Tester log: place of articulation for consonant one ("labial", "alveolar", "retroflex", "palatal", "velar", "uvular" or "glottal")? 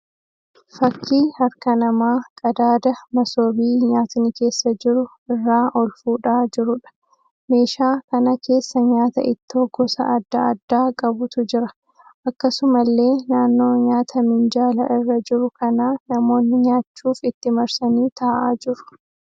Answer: labial